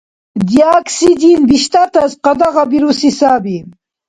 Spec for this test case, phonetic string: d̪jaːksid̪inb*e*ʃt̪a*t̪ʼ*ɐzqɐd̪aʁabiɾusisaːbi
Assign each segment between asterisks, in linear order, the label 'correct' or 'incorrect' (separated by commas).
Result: incorrect, incorrect